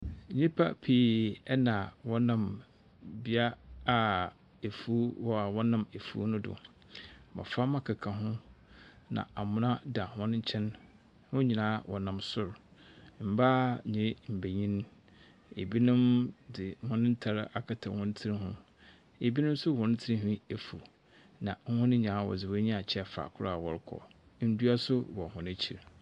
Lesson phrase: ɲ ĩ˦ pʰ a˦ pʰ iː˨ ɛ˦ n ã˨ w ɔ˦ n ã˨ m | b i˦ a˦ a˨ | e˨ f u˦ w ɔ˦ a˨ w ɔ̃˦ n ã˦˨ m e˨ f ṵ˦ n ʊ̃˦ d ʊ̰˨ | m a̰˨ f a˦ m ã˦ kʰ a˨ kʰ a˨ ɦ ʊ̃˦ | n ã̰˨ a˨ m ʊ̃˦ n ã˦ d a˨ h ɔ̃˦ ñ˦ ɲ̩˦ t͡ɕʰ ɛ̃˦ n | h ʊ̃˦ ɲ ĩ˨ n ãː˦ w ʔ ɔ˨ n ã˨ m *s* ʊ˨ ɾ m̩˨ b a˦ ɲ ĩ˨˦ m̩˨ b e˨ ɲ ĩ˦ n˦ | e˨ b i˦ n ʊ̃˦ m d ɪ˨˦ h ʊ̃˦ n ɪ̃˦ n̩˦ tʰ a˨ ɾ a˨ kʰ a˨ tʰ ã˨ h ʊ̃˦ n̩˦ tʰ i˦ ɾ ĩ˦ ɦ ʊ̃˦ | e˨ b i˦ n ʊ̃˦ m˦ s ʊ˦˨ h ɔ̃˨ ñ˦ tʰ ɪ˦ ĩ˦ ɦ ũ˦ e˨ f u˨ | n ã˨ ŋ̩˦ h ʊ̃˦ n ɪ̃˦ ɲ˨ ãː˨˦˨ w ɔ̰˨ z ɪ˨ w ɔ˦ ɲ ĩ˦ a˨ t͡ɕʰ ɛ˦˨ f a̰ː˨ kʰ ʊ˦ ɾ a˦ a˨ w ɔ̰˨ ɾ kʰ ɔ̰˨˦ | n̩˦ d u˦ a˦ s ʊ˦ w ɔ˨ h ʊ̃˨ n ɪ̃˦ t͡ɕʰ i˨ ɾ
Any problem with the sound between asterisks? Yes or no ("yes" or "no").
no